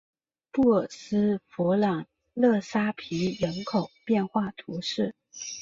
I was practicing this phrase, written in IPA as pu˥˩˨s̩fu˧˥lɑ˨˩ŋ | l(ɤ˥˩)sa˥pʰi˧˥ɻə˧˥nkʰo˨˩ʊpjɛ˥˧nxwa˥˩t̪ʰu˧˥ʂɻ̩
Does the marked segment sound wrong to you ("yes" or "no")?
no